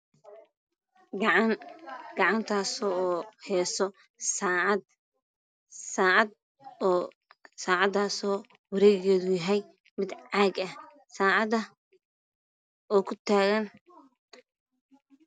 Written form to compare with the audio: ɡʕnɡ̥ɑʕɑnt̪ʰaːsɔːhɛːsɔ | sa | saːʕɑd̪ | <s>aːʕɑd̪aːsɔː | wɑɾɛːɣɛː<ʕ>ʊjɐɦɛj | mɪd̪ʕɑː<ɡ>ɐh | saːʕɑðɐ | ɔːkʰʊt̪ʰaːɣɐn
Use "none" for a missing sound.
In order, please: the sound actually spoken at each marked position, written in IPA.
s, ð, ɡ

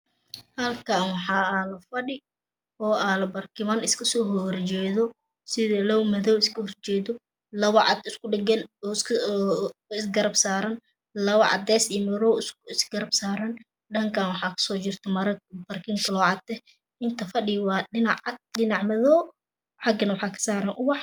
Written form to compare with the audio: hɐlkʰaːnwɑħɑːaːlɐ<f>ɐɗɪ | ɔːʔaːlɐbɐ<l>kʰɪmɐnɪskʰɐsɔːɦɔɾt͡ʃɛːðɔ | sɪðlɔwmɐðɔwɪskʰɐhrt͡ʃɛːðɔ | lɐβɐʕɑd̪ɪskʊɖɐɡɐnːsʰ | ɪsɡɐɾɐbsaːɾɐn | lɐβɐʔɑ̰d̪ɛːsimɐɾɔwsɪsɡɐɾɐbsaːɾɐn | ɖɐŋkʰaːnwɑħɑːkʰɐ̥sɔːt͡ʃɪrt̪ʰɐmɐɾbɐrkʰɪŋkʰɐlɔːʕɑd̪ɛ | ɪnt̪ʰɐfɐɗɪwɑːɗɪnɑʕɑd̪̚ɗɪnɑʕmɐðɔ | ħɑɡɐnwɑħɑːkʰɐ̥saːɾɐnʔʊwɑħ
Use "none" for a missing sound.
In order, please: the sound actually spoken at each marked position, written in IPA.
f, r

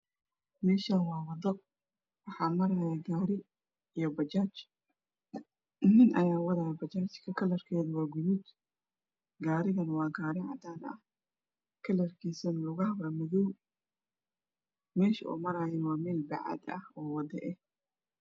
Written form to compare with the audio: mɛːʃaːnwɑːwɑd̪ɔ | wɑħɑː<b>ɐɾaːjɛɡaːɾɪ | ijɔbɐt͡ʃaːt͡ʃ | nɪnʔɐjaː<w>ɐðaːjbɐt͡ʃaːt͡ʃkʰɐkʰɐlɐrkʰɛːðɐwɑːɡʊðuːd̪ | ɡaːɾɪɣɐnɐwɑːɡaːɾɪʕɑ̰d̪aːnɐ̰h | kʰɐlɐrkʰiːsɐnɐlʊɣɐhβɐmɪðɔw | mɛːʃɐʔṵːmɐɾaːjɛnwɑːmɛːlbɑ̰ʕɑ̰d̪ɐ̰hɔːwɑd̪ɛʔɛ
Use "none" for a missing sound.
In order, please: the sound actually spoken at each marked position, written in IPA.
m, w

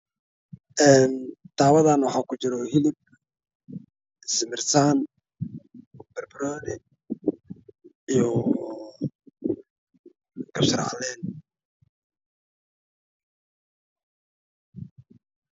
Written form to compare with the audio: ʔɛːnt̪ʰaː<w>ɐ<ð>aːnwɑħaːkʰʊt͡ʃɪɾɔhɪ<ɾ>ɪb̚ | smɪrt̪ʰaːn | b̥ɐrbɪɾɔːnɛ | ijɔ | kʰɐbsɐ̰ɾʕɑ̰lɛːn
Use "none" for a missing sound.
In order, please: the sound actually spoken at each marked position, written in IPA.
w, ð, l

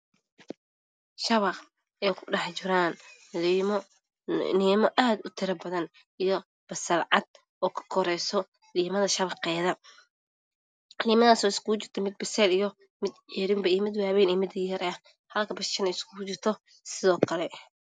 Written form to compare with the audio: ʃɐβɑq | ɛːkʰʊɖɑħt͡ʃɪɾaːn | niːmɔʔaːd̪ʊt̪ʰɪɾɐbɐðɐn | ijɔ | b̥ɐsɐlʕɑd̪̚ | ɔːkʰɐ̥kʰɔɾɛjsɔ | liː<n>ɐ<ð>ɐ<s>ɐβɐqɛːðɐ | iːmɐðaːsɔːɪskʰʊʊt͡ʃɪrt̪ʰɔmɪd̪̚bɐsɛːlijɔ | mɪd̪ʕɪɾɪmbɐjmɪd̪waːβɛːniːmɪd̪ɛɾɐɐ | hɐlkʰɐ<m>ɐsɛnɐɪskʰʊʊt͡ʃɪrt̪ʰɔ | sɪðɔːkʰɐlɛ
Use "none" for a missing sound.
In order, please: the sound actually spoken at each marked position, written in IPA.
m, ð, ʃ, b

